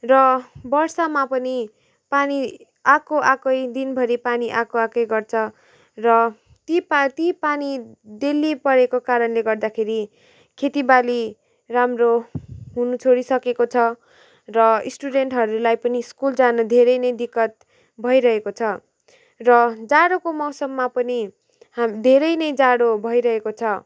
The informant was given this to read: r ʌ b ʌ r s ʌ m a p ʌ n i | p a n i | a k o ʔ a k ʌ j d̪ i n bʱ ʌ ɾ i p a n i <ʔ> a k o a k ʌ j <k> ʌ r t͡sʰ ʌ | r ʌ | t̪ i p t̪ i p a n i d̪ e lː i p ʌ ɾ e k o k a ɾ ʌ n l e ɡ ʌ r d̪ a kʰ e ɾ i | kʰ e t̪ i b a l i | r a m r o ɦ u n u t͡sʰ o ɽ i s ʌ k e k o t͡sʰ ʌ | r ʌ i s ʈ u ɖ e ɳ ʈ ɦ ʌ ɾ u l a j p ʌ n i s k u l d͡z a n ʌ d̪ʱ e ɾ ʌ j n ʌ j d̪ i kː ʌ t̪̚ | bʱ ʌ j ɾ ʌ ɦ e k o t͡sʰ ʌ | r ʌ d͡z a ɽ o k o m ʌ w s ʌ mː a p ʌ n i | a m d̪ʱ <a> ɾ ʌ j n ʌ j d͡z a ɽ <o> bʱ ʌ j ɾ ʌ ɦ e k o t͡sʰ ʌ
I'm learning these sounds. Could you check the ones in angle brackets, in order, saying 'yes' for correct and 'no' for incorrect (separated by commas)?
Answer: yes, no, no, yes